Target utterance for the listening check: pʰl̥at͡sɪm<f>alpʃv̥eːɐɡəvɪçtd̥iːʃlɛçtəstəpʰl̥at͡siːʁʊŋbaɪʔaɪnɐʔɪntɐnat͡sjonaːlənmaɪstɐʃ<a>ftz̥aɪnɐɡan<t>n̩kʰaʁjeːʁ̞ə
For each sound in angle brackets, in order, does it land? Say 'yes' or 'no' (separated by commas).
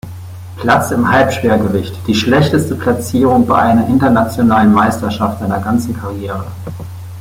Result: no, yes, no